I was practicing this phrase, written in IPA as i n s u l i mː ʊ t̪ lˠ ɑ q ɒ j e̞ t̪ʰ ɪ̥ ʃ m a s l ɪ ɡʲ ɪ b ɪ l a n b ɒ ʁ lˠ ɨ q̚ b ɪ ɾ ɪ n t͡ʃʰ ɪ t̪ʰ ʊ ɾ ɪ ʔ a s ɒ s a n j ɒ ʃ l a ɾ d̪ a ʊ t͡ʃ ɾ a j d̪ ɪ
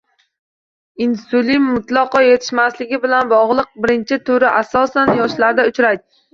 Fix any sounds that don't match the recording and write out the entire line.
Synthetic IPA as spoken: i n s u l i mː ʊ t̪ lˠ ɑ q ɒ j e̞ t̪ʰ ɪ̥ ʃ m a s l ɪ ɡʲ ɪ b ɪ l a n b ɒ ʁ lˠ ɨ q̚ b ɪ ɾ ɪ n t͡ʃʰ ɪ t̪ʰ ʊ ɾ ɪ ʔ a s ɒ s a n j ɒ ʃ l a ɾ d̪ a ʊ t͡ʃ ɾ a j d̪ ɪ